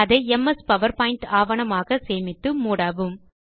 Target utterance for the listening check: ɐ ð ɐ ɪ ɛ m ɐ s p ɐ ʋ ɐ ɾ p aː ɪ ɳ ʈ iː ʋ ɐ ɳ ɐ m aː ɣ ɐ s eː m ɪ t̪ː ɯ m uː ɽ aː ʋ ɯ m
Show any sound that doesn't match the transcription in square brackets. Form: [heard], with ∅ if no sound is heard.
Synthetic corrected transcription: ɐ ð ɐ ɪ ɛ m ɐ s p ɐ ʋ ɐ ɾ p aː ɪ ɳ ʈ [aː] ʋ ɐ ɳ ɐ m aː ɣ ɐ s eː m ɪ t̪ː ɯ m uː ɽ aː ʋ ɯ m